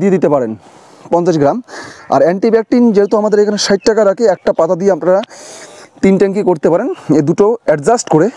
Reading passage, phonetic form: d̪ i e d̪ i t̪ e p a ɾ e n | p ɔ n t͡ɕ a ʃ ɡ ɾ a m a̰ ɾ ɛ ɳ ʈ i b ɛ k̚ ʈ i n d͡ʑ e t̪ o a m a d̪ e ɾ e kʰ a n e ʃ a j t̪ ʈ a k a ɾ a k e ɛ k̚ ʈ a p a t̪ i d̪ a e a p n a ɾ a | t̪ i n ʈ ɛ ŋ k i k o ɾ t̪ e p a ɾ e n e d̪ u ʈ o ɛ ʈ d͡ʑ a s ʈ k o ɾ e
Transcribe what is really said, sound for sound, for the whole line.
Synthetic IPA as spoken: d̪ i e d̪ i t̪ e p a ɾ e n | p ɔ n t͡ɕ a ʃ ɡ ɾ a m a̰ ɾ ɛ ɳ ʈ i b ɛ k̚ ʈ i n d͡ʑ e t̪ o a m a d̪ e ɾ e kʰ a n e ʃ a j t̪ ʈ a k a ɾ a k e ɛ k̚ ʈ a p a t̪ a d̪ i e a p n a ɾ a | t̪ i n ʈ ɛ ŋ k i k o ɾ t̪ e p a ɾ e n e d̪ u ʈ o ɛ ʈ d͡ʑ a s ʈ k o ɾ e